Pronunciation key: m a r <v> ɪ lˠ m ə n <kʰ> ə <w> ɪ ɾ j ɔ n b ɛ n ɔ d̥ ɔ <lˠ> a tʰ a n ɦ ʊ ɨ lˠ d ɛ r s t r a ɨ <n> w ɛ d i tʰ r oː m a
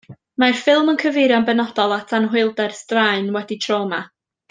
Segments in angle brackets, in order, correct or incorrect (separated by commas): incorrect, correct, incorrect, correct, correct